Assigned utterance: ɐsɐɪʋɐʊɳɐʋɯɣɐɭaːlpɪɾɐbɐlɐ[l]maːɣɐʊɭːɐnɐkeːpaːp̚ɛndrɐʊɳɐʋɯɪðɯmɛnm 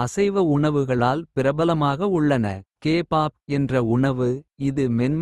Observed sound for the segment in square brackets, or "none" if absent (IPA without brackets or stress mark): none